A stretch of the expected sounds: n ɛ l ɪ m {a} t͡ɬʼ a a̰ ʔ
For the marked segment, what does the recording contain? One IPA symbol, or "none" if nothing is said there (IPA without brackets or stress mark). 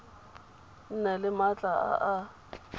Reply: a